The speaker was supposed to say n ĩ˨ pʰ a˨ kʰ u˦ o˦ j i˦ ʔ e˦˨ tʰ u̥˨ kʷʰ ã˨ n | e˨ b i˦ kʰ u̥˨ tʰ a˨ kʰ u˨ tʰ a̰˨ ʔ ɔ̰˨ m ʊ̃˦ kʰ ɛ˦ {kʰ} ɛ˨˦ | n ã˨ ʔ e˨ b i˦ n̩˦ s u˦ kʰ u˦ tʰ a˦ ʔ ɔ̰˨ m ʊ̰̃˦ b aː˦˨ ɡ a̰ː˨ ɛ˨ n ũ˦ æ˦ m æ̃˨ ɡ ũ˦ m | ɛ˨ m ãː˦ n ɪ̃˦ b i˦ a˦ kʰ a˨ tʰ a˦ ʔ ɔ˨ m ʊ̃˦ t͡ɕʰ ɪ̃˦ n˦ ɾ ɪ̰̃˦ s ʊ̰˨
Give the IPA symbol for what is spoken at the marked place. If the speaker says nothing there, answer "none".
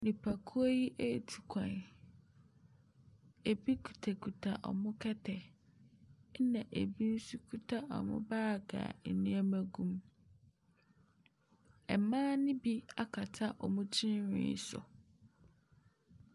tʰ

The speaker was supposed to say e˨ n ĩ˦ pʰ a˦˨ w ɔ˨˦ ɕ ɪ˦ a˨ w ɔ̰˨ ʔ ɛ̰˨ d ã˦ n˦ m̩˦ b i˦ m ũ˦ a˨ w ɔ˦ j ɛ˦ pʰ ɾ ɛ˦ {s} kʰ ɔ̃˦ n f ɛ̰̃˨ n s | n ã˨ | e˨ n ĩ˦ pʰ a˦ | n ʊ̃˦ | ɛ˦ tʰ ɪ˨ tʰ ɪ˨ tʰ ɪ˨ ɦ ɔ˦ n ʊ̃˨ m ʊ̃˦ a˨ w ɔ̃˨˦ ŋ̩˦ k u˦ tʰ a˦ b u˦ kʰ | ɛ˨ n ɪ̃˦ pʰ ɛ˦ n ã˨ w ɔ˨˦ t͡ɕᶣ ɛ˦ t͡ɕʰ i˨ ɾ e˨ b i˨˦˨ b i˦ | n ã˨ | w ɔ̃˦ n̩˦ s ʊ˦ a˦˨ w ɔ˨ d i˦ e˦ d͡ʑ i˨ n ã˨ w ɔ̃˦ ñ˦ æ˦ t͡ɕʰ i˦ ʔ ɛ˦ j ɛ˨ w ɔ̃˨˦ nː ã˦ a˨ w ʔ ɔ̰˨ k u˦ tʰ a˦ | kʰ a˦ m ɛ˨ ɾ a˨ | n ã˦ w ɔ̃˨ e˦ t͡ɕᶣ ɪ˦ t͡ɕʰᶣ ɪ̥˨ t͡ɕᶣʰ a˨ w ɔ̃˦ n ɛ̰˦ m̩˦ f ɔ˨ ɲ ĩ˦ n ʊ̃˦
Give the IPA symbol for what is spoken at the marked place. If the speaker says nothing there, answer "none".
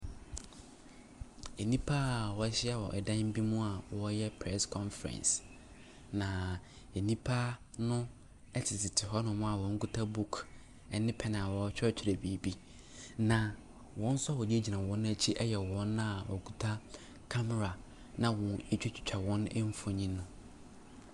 s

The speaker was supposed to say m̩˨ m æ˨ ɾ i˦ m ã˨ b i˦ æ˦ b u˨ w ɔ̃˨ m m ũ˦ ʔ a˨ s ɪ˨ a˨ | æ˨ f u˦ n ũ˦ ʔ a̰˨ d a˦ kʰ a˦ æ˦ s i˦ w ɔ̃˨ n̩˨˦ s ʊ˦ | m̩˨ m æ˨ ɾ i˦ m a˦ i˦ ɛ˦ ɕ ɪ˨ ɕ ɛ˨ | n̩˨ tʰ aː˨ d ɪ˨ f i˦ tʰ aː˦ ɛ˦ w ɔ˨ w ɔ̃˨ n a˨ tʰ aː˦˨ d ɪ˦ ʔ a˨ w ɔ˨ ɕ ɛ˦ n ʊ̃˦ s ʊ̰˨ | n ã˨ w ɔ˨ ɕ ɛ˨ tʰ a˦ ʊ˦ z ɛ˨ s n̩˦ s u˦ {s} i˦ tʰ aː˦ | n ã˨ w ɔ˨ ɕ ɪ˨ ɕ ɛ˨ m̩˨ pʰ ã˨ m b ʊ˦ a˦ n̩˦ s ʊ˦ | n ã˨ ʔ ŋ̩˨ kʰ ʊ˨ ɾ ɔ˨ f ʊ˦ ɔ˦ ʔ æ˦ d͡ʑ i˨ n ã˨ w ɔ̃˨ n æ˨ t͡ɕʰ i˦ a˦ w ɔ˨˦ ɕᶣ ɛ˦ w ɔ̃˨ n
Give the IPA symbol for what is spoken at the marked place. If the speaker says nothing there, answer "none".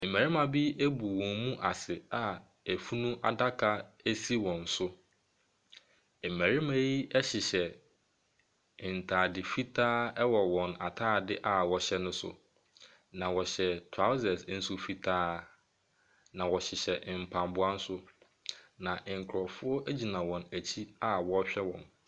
f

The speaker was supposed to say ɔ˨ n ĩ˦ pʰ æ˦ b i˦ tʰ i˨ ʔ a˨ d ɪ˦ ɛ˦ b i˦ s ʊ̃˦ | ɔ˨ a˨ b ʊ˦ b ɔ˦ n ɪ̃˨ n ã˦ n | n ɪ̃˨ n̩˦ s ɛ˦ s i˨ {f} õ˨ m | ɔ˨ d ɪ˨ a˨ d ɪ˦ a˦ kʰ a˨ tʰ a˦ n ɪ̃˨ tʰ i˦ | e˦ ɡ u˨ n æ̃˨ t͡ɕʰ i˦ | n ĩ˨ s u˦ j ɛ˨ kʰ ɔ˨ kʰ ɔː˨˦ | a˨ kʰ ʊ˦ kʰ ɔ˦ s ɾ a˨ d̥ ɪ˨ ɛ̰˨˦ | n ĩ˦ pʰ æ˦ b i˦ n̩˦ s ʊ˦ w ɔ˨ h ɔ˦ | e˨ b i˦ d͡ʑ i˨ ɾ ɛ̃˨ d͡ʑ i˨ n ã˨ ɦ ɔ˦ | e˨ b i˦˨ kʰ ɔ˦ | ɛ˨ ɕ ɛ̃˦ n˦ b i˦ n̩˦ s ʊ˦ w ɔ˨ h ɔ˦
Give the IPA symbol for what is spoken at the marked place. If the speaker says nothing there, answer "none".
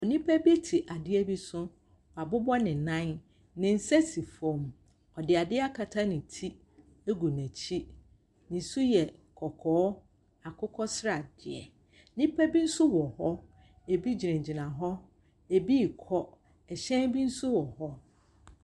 f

